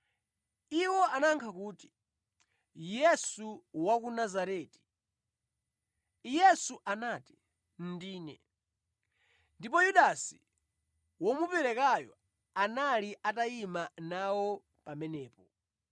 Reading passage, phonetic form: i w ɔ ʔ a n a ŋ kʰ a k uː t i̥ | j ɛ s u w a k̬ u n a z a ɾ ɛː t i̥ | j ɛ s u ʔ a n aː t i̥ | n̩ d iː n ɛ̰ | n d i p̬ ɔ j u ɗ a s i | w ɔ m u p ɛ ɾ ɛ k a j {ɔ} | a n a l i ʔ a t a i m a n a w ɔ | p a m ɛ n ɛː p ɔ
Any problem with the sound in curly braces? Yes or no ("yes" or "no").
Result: no